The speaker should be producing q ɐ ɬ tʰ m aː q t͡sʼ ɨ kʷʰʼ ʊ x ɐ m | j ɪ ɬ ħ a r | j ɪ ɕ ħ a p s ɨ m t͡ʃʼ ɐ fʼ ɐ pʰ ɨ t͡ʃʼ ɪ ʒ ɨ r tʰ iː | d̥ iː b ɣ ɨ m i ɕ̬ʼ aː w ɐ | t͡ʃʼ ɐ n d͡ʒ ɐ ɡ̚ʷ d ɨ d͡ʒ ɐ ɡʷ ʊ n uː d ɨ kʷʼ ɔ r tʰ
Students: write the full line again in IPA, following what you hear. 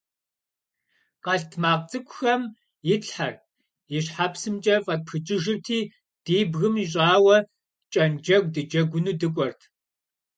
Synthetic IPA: q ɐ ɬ tʰ m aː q t͡sʼ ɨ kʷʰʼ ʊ x ɐ m | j ɪ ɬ ħ a r | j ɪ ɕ ħ a p s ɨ m t͡ʃʼ ɐ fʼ ɐ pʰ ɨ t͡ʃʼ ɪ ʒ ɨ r tʰ iː | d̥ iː b ɣ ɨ m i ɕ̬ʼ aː w ɐ | t͡ʃʼ ɐ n d͡ʒ ɐ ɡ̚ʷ d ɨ d͡ʒ ɐ ɡʷ ʊ n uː d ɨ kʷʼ ɔ r tʰ

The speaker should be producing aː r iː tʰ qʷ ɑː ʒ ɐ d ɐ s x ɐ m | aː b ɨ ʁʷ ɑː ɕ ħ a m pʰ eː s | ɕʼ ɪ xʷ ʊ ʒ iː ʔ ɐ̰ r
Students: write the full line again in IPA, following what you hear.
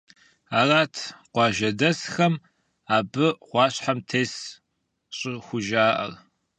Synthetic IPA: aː r aː tʰ qʷ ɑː ʒ ɐ d ɐ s x ɐ m | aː b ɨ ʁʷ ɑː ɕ ħ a m tʰ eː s | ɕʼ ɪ xʷ ʊ ʒ aː ʔ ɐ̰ r

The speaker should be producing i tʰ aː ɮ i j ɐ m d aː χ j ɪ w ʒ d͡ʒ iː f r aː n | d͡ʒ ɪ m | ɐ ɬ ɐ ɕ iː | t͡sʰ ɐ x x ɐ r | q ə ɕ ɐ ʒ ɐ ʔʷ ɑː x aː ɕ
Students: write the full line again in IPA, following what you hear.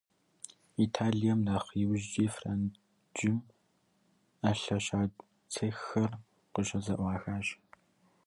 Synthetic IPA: i tʰ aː ɮ i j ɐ m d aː χ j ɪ w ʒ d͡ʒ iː f r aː n | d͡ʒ ɪ m | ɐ ɬ ɐ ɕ aː | t͡sʰ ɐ x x ɐ r | q ə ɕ ɐ z ɐ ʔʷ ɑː x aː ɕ

